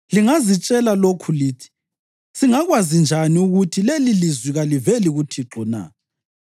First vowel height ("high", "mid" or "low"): high